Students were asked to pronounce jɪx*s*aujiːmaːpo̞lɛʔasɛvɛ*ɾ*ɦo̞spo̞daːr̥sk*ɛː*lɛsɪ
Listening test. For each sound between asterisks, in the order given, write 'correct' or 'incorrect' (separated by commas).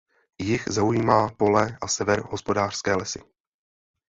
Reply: incorrect, correct, correct